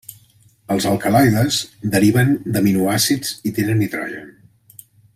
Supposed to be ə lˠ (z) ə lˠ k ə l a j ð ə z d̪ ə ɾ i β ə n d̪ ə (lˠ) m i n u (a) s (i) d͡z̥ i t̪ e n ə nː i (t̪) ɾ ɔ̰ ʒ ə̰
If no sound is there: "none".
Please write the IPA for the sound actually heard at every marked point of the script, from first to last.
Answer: z, none, a, i, t̪

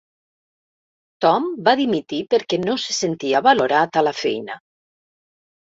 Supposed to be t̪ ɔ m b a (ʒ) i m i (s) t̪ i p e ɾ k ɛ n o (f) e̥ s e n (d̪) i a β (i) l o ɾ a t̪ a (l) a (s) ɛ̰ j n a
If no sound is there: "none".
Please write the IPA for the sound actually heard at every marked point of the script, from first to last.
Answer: ð, none, s, t̪, a, l, f

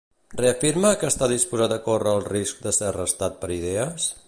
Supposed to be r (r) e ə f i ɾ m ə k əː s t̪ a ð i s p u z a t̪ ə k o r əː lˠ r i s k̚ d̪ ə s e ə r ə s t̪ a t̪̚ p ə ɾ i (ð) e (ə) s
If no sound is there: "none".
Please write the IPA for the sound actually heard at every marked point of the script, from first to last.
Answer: r, ð, ə

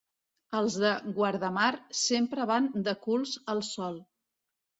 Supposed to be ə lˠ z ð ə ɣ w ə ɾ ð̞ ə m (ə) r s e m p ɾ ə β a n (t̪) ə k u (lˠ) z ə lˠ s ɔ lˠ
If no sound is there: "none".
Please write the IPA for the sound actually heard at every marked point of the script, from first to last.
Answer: a, d̪, lˠ

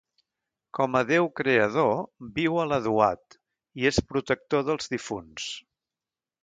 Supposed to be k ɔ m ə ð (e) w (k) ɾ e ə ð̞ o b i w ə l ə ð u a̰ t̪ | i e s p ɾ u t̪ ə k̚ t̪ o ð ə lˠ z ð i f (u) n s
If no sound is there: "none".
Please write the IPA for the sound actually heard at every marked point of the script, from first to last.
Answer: e, k, u

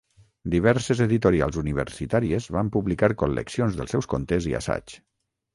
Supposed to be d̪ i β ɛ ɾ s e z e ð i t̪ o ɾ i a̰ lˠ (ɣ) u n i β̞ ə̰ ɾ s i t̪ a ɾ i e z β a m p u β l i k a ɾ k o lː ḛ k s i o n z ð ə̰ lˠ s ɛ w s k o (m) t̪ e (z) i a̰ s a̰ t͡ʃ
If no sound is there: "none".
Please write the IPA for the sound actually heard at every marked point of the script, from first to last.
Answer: z, n, z

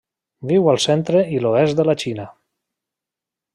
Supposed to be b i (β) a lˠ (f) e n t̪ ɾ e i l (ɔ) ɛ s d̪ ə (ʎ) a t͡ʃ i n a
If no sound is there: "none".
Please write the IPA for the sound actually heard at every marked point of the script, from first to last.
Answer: w, s, o, l

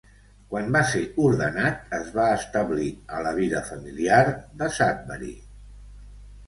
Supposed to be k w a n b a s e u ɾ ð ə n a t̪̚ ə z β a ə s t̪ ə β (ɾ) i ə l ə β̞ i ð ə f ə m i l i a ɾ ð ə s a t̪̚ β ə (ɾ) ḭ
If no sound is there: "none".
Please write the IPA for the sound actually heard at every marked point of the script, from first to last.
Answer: l, ɾ

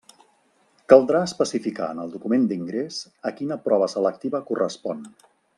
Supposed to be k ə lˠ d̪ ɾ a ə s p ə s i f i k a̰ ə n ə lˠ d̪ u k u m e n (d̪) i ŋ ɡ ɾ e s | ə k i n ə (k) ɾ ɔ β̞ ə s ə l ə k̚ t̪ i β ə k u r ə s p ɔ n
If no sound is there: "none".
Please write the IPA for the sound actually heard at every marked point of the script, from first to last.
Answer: d̪, p

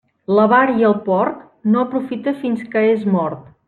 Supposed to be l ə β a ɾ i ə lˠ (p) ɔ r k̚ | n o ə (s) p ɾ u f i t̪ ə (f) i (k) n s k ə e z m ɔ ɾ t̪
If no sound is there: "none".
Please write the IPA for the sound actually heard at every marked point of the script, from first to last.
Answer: p, none, f, none

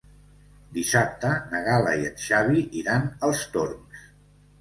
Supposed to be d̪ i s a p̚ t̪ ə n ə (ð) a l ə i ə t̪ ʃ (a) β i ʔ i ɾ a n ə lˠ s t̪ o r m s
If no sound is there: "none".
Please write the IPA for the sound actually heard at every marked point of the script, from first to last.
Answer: ɣ, a

